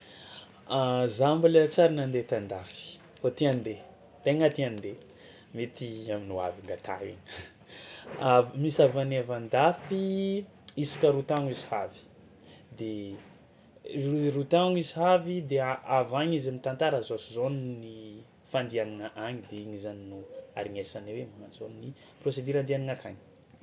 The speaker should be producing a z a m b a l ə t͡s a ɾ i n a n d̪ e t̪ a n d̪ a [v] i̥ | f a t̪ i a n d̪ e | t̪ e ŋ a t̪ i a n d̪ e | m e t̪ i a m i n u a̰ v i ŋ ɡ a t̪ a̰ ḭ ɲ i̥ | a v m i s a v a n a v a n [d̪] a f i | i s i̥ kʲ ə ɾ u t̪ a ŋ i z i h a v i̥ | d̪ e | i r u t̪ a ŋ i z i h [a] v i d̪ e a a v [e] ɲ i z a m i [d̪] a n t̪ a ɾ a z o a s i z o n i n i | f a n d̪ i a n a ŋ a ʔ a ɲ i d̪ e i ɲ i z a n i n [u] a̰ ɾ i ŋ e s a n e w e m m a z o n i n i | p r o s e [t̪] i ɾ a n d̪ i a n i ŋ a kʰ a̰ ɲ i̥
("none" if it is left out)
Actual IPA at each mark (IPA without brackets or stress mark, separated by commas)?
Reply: f, d̪, a, a, t̪, u, d̪